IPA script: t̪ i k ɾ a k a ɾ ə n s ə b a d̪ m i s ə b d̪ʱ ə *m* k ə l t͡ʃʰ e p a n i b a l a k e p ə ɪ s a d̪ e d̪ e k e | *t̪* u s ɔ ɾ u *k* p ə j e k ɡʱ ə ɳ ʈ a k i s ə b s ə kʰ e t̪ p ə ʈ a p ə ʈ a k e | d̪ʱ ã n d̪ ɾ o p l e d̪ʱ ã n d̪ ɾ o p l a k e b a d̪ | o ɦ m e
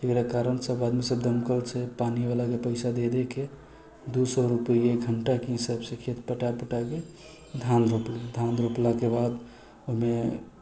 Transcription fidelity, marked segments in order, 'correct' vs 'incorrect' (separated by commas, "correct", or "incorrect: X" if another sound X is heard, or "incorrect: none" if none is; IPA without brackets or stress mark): correct, incorrect: d̪, incorrect: none